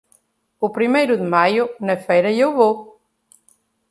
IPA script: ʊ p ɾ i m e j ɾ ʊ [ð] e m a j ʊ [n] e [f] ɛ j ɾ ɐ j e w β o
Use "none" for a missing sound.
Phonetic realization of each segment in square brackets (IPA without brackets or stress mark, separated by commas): ð, n, f